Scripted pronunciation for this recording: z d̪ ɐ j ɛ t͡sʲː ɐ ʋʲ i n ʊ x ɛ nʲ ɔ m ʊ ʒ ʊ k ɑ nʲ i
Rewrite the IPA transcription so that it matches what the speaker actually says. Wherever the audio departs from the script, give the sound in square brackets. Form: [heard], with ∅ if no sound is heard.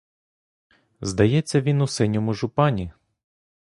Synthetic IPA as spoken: z d̪ ɐ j ɛ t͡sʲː ɐ ʋʲ i n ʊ [s] ɛ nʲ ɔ m ʊ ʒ ʊ [p] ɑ nʲ i